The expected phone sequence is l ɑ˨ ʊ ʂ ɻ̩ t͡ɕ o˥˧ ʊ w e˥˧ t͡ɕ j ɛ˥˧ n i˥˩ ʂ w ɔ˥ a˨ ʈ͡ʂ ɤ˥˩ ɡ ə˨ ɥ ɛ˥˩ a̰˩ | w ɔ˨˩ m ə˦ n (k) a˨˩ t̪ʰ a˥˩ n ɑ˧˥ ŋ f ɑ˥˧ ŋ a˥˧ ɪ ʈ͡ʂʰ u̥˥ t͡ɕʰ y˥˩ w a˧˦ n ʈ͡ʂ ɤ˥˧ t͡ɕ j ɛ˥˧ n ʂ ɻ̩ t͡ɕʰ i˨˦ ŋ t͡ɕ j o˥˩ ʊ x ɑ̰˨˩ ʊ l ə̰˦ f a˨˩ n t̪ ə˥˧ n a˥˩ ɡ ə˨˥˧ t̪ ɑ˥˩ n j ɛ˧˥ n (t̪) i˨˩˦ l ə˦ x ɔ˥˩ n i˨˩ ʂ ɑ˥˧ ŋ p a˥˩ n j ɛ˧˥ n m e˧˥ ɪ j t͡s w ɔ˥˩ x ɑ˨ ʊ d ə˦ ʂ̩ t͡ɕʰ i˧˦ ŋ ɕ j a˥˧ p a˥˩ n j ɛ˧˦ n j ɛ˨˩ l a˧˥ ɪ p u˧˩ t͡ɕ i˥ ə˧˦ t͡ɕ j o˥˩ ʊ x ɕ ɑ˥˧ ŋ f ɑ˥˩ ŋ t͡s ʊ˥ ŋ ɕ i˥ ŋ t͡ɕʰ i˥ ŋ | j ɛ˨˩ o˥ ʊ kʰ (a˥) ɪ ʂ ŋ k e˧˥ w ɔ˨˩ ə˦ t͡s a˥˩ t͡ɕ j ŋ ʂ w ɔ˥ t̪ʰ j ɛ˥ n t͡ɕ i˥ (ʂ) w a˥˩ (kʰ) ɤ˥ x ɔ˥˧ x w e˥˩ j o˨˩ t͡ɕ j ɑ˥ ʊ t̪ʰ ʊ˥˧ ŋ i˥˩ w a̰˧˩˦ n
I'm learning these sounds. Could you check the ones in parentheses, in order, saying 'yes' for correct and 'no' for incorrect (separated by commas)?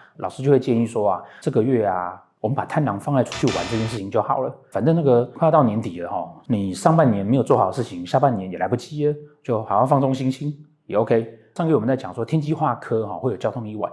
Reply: no, yes, no, no, yes